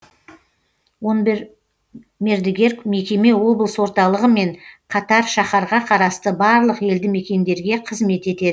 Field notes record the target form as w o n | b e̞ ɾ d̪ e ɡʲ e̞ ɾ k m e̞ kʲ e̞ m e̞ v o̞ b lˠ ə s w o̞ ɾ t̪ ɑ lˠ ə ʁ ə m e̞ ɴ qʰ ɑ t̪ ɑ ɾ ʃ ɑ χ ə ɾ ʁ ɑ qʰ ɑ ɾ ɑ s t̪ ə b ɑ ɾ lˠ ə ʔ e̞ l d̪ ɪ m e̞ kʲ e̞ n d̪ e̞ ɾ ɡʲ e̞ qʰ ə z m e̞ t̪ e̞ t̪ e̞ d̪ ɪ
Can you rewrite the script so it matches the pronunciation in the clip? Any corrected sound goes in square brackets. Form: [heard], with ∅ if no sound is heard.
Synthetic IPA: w o n | [m] e̞ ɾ d̪ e ɡʲ e̞ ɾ k m e̞ kʲ e̞ m e̞ [w] o̞ b lˠ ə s w o̞ ɾ t̪ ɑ lˠ ə ʁ ə m e̞ ɴ qʰ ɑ t̪ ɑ ɾ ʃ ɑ χ [ɑ] ɾ ʁ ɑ qʰ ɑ ɾ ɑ s t̪ ə b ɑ ɾ lˠ ə [q] e̞ l d̪ ɪ m e̞ kʲ e̞ n d̪ e̞ ɾ ɡʲ e̞ qʰ ə z m e̞ t̪ e̞ t̪ e̞ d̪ ɪ